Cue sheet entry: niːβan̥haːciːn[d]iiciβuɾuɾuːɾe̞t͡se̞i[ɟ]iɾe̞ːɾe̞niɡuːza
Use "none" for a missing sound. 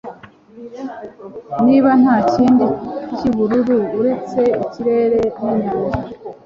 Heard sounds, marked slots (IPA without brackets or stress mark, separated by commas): d, c